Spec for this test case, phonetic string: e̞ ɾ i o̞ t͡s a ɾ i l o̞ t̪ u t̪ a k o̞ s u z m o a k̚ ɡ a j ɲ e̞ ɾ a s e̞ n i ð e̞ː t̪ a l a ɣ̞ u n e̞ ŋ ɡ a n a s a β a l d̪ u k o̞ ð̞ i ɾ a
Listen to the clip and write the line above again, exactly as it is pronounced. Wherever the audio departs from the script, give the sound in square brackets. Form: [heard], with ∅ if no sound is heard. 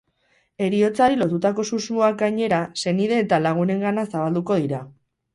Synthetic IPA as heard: e̞ ɾ i o̞ t͡s a ɾ i l o̞ t̪ u t̪ a k o̞ s u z m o a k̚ ɡ a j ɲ e̞ ɾ a s e̞ n i ð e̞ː t̪ a l a ɣ̞ u n e̞ ŋ ɡ a n a s a β a l d̪ u k o̞ ð̞ i ɾ a